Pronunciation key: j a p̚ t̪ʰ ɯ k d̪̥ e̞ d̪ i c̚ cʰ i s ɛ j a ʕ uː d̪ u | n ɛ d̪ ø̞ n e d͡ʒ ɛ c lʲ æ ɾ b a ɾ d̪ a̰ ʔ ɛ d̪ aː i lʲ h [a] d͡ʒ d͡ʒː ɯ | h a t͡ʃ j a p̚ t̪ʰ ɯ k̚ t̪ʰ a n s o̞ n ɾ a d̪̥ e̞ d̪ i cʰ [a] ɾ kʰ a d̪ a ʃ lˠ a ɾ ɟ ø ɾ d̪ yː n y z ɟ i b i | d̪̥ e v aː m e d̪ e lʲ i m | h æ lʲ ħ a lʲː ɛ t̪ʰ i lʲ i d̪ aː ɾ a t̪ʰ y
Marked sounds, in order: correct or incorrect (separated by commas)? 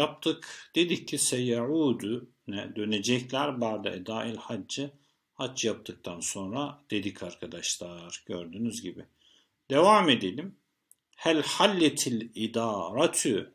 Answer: correct, correct